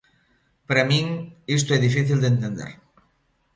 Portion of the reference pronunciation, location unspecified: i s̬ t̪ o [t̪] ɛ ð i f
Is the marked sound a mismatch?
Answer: yes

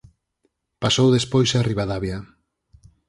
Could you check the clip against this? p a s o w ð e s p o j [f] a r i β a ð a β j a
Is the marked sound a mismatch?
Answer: yes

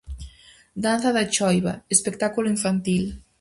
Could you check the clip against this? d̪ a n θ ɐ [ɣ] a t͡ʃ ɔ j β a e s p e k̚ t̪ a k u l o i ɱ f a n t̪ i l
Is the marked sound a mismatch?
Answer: yes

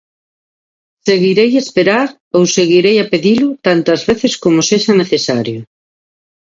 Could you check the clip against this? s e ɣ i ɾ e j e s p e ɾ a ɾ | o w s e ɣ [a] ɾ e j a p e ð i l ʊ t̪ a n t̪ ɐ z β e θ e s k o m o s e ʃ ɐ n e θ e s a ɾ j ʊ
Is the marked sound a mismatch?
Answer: yes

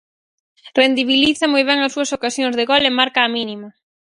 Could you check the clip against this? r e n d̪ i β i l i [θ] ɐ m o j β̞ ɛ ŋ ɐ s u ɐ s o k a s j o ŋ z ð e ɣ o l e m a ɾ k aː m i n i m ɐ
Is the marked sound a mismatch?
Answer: no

